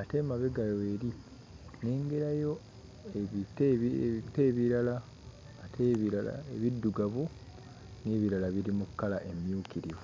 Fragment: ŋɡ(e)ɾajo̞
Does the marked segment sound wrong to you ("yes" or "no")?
no